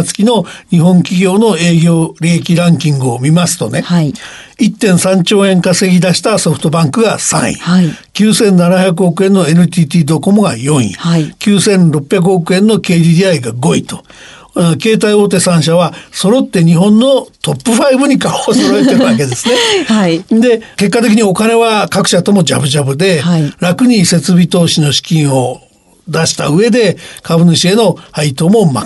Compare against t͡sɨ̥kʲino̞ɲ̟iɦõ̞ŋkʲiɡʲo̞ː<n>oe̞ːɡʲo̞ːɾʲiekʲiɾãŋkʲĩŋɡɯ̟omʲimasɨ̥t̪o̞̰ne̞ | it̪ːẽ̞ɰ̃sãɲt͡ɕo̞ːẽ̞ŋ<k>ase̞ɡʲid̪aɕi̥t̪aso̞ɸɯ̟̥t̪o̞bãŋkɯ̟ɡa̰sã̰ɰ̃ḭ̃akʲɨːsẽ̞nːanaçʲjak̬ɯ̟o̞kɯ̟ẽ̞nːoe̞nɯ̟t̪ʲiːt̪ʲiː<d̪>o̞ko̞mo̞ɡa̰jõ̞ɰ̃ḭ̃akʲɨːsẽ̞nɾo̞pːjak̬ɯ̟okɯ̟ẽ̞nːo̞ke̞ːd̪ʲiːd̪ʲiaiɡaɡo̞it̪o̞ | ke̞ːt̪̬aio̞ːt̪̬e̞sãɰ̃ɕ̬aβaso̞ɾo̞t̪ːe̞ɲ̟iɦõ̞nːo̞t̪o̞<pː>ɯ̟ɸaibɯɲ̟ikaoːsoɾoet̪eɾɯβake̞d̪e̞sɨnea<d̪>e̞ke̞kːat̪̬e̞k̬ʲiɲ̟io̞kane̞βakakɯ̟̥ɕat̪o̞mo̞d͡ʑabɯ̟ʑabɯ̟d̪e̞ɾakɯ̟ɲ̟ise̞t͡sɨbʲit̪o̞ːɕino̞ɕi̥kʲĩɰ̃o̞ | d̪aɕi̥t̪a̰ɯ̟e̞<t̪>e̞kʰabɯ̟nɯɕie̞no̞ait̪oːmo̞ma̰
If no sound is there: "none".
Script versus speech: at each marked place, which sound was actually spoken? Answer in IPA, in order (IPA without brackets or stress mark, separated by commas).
n, k, d̪, pː, d̪, d̪